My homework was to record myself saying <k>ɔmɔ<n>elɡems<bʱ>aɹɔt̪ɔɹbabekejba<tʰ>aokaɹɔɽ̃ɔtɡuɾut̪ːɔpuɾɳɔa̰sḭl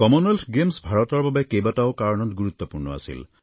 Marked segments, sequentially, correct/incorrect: correct, correct, correct, incorrect

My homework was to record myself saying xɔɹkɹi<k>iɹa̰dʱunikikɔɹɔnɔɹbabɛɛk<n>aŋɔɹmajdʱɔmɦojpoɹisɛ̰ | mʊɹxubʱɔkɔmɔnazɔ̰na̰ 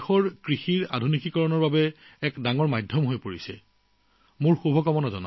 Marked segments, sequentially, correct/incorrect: incorrect, incorrect

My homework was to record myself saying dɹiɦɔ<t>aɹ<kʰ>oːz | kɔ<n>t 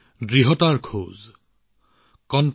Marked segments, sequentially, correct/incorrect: correct, correct, correct

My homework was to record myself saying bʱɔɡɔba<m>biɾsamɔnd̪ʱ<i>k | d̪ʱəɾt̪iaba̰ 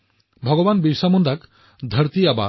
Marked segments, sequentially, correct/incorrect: incorrect, incorrect

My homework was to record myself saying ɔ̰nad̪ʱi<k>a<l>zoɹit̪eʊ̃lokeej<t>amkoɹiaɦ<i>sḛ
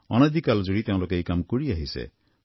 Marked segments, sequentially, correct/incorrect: correct, correct, incorrect, correct

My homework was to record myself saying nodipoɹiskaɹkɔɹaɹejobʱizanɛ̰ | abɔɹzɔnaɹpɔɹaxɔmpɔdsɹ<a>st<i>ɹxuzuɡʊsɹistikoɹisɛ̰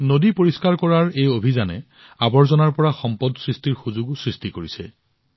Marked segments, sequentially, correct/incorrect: incorrect, correct

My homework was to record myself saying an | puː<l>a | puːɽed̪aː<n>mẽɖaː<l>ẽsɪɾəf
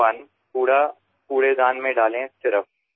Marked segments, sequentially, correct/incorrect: incorrect, correct, correct

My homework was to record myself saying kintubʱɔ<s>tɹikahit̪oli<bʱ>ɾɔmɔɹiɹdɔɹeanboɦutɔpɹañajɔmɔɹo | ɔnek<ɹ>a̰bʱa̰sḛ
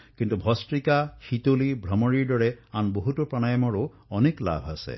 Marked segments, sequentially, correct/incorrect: correct, correct, incorrect

